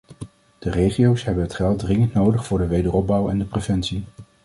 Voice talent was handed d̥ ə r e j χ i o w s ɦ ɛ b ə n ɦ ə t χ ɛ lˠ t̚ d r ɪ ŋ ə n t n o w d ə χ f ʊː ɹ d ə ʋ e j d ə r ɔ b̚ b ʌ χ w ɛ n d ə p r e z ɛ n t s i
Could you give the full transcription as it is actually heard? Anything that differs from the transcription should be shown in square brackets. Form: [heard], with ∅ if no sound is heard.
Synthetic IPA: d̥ ə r e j χ i o w s ɦ ɛ b ə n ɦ ə t χ ɛ lˠ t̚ d r ɪ ŋ ə n t n o w d ə χ f ʊː ɹ d ə ʋ e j d ə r ɔ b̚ b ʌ [∅] w ɛ n d ə p r e [v] ɛ n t s i